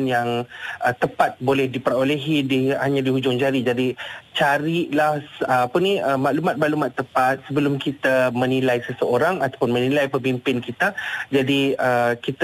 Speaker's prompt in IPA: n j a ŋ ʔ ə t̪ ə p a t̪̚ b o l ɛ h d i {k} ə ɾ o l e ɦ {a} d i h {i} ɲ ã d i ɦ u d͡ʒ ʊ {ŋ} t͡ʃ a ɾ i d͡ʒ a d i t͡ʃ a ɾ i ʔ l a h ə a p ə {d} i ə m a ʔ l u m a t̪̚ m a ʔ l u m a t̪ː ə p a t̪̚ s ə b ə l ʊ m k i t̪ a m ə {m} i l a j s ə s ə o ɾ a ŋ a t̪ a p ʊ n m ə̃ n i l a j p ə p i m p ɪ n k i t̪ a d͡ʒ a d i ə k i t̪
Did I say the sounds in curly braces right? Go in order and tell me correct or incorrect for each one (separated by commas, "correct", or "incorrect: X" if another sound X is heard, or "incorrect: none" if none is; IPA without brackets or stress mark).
incorrect: p, incorrect: i, incorrect: a, correct, incorrect: n, incorrect: n